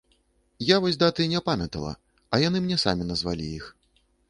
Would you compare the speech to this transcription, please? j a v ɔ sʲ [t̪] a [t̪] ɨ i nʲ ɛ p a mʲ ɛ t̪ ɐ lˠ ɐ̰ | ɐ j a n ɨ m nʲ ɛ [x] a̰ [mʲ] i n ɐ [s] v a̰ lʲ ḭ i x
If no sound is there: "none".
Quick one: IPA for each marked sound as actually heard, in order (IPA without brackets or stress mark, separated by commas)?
d̪, t̪, s, mʲ, z